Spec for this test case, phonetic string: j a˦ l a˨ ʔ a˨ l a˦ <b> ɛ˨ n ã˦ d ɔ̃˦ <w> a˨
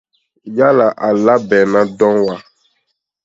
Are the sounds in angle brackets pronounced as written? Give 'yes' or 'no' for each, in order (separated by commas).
yes, yes